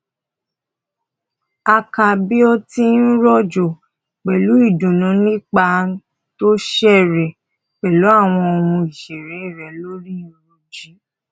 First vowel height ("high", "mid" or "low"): low